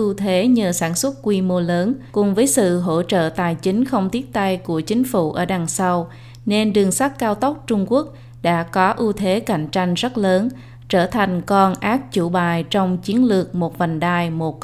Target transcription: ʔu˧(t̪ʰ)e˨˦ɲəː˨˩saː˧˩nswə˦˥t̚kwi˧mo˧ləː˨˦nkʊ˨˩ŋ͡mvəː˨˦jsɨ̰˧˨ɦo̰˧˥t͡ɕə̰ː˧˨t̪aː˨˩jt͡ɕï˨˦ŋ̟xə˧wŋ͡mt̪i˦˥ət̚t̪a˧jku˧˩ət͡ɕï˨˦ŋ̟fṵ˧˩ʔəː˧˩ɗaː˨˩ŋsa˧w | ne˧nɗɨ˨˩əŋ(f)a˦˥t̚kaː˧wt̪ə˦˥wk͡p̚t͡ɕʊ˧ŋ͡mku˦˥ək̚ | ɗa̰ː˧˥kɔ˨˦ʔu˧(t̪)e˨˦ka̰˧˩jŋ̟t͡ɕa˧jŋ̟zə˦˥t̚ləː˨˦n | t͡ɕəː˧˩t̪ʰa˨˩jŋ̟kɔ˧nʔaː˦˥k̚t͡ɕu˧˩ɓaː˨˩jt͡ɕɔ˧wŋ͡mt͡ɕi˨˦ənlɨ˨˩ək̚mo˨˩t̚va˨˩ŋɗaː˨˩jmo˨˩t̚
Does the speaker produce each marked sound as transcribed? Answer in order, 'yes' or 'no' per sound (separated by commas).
yes, no, no